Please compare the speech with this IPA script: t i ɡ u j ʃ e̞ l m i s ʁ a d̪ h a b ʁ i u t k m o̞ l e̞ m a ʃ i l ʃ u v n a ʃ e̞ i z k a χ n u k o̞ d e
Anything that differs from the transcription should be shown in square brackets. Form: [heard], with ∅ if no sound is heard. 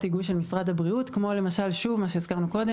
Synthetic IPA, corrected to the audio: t i ɡ u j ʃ e̞ l m i s ʁ a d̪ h a b ʁ i u t k m o̞ l e̞ m a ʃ [a] l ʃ u v [m] a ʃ e̞ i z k a [ʁ] n u k o̞ d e